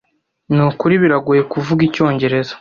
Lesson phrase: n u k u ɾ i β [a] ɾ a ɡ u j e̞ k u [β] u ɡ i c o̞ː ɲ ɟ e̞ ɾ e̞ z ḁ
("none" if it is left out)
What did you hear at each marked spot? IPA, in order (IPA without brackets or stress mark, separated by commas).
i, v